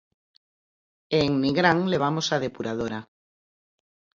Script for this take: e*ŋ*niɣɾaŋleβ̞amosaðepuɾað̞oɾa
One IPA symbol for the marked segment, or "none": ŋ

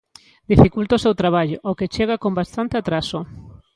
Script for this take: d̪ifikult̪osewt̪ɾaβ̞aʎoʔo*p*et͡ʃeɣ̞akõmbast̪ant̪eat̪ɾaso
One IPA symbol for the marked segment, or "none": k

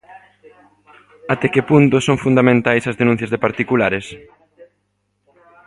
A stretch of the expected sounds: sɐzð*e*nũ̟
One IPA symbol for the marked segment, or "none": e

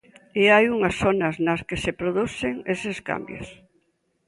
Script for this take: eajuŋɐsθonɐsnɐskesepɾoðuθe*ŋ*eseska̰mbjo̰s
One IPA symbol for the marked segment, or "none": ŋ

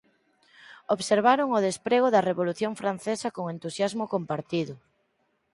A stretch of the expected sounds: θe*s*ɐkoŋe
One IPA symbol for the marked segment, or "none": s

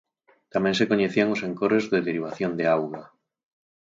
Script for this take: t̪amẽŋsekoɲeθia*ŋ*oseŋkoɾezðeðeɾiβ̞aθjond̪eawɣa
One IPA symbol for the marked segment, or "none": ŋ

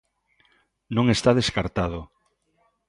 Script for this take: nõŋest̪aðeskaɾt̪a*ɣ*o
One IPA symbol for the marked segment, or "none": ð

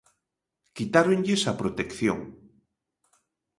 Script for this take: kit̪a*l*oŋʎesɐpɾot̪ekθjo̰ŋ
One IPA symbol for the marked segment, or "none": ɾ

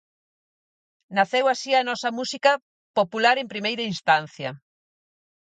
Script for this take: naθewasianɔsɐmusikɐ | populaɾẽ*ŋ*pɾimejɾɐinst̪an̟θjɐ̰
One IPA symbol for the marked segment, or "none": m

